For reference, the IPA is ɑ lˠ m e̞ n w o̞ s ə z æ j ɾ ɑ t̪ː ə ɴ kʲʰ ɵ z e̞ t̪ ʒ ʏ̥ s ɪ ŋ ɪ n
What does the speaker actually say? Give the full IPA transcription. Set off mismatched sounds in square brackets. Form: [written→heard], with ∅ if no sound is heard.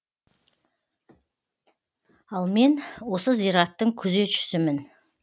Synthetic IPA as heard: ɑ lˠ m e̞ n w o̞ s ə z [æ→i] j ɾ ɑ t̪ː ə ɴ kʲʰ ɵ z e̞ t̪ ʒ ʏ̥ s ɪ [ŋ→m] ɪ n